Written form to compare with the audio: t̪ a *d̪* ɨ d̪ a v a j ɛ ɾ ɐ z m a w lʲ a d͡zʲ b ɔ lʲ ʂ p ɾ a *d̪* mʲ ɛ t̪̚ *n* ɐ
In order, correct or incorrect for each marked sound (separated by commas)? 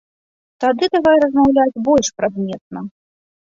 correct, correct, correct